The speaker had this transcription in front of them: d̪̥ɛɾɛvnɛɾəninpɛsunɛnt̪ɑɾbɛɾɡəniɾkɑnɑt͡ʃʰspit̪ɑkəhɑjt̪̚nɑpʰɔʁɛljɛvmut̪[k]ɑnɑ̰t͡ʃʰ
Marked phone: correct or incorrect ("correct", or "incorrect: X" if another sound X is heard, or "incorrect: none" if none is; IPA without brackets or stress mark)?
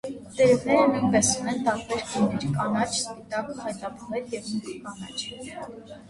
correct